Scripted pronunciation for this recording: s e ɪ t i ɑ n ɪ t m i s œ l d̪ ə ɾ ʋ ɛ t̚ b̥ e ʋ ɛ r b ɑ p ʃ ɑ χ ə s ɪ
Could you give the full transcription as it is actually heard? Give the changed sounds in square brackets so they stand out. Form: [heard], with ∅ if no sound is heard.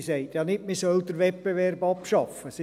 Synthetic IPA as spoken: s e ɪ t [j] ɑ n ɪ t m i s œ l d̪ ə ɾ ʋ ɛ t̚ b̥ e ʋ ɛ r b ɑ p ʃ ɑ [f] ə s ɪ